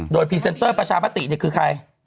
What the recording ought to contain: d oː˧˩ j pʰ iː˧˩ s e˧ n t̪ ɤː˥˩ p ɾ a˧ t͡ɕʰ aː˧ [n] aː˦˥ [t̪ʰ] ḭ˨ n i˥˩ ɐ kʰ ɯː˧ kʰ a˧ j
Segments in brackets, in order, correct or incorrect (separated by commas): incorrect, incorrect